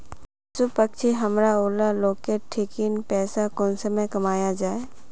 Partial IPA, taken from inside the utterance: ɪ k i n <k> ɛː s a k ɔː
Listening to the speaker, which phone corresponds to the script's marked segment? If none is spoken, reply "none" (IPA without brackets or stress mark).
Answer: p